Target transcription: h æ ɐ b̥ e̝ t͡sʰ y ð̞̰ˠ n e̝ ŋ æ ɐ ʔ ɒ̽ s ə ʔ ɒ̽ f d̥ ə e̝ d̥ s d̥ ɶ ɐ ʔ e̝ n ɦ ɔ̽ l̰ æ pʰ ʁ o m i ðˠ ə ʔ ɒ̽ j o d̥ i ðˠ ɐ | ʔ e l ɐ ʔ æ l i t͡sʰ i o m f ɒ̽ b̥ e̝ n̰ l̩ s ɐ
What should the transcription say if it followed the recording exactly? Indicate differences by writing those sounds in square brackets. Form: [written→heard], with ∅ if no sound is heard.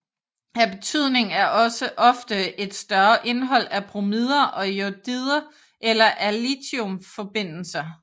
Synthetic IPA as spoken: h æ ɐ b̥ e̝ t͡sʰ y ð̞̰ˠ n e̝ ŋ æ ɐ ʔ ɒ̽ s ə ʔ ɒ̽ f d̥ ə e̝ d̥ s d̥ ɶ ɐ ʔ e̝ n ɦ [ɔ̽→ɒ̽] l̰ æ pʰ ʁ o m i ðˠ [ə→ɐ] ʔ ɒ̽ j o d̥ i ðˠ ɐ | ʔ e l ɐ ʔ æ l i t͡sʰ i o m f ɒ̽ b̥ e̝ n̰ l̩ s ɐ